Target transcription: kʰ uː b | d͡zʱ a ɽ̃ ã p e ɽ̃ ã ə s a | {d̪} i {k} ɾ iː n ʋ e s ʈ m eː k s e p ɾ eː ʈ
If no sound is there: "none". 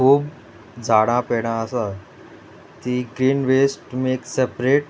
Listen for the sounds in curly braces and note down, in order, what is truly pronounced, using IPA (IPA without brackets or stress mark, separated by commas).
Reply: t̪, ɡ